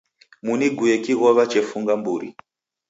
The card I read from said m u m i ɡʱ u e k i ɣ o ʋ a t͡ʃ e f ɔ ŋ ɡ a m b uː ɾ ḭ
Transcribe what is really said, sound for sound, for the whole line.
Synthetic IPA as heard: m u n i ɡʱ u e k i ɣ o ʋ a t͡ʃ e f u ŋ ɡ a m b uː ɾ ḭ